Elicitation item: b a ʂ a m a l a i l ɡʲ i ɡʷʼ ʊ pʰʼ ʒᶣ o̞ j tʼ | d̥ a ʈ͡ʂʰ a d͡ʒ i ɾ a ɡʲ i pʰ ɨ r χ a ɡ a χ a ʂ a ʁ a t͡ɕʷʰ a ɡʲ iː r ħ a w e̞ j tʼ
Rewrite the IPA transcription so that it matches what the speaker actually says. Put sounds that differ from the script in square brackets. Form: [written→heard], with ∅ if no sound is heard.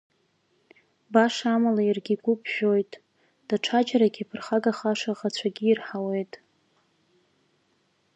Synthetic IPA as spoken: b a ʂ a m a l a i [l→r] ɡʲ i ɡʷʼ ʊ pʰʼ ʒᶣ o̞ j tʼ | d̥ a ʈ͡ʂʰ a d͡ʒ [i→a] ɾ a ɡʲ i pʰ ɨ r χ a ɡ a χ a ʂ a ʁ a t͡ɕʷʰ a ɡʲ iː r ħ a w e̞ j tʼ

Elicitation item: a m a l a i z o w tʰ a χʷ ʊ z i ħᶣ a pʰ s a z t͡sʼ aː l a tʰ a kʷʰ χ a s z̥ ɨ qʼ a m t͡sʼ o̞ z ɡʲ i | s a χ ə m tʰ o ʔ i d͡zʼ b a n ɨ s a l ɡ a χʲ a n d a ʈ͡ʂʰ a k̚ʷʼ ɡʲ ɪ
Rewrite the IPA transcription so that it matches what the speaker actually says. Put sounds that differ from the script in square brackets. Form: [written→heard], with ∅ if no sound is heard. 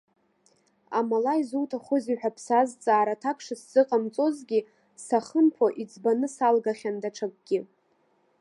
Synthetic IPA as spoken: a m a l a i z [o→u] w tʰ a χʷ ʊ z i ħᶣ a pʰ s a z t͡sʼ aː [l→ɾ] a tʰ a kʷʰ [χ→ʂ] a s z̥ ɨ qʼ a m t͡sʼ o̞ z ɡʲ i | s a χ ə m [tʰ→pʰ] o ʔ i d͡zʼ b a n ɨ s a l ɡ a χʲ a n d a ʈ͡ʂʰ a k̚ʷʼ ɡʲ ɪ

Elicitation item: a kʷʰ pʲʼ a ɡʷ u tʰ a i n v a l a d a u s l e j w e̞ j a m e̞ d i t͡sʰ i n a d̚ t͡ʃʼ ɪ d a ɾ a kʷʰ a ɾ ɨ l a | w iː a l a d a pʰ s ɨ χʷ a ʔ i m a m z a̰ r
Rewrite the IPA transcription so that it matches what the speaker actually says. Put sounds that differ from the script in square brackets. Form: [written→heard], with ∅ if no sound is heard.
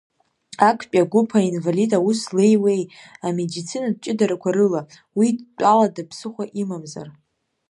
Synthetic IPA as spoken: a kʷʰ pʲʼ a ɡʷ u [tʰ→pʰ] a i n v a l [a→i] d a u s l e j w e̞ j a m e̞ d i t͡sʰ i n a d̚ t͡ʃʼ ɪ d a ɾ a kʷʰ a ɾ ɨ l a | w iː a l a d a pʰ s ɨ χʷ a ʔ i m a m z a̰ r

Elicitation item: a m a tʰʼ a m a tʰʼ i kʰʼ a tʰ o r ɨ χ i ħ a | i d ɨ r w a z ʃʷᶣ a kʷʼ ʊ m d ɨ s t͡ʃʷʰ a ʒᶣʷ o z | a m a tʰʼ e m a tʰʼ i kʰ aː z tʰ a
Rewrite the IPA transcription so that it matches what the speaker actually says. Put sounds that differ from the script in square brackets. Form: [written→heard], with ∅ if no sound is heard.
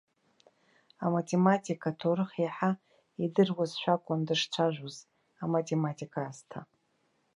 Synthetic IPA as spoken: a m a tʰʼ [a→e] m a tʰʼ i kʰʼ a tʰ o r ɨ χ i ħ a | i d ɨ r w a z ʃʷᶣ a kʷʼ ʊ [m→n] d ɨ [s→ʂ] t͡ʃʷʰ a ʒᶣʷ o z | a m a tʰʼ e m a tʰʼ i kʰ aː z tʰ a

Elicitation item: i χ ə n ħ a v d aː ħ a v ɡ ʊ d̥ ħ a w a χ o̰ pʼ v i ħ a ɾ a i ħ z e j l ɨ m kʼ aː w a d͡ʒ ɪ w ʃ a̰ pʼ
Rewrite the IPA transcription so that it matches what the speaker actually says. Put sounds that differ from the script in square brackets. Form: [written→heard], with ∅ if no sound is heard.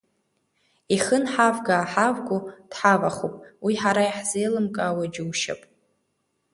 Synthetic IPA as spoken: i χ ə n ħ a v [d→ɡ] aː ħ a v ɡ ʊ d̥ ħ a [w→v] a χ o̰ pʼ [v→w] i ħ a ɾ a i ħ z e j l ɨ m kʼ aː w a d͡ʒ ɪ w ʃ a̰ pʼ

